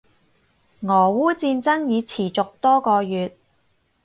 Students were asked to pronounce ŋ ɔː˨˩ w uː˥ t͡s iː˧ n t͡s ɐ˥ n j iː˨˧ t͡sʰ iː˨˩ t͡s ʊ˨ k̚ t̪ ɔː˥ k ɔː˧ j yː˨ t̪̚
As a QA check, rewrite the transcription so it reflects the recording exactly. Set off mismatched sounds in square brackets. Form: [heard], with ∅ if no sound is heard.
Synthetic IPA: ŋ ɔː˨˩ w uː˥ t͡s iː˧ n t͡s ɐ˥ [ŋ] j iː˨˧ t͡sʰ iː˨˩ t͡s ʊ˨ k̚ t̪ ɔː˥ k ɔː˧ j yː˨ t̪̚